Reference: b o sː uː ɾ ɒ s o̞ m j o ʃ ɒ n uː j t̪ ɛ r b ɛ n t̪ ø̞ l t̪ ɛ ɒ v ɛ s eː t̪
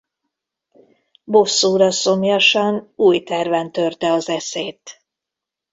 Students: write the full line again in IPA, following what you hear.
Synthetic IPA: b o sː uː ɾ ɒ s o̞ m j ɒ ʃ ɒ n uː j t̪ ɛ r v ɛ n t̪ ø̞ r t̪ ɛ ɒ z ɛ s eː t̪